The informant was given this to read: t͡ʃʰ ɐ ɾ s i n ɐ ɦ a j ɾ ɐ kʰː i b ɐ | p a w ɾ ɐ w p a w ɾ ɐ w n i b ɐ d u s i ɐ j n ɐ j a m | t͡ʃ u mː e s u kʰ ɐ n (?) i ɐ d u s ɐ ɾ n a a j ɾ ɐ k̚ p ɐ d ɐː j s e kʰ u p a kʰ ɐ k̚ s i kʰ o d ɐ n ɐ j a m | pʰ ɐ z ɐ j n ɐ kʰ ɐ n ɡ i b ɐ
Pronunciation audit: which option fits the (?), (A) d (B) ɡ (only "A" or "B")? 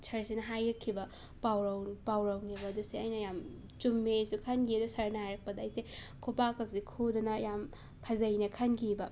B